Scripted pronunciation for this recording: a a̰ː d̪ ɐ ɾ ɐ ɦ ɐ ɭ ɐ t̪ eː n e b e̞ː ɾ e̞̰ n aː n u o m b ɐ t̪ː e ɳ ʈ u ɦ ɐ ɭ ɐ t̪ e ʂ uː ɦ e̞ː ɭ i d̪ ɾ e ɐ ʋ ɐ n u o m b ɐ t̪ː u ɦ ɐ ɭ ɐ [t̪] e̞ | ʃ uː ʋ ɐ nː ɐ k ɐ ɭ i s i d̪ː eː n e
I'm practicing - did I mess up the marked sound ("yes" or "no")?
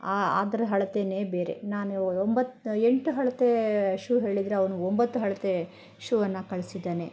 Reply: no